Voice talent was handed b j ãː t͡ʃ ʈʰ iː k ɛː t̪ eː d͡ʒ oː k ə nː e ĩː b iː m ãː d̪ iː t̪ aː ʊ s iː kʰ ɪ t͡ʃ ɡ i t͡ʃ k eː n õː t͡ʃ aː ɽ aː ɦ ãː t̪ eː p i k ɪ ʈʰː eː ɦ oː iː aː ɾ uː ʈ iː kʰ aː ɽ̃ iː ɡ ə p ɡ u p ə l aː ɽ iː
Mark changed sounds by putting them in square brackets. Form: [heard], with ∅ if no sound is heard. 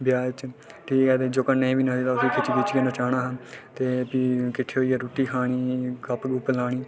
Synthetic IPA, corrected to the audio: b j [aː] t͡ʃ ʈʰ iː k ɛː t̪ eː d͡ʒ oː k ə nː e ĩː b iː [n] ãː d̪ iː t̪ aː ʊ s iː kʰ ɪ t͡ʃ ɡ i t͡ʃ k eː n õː t͡ʃ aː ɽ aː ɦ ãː t̪ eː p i k ɪ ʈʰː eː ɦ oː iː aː ɾ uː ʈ iː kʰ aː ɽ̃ iː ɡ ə p ɡ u p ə l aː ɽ iː